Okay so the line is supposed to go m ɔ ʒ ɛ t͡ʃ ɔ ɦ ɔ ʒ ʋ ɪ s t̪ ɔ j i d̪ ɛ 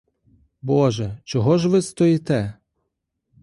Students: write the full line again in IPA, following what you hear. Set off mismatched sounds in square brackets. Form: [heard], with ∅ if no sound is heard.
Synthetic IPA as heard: [b] ɔ ʒ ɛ t͡ʃ ɔ ɦ ɔ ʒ ʋ ɪ s t̪ ɔ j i [t̪] ɛ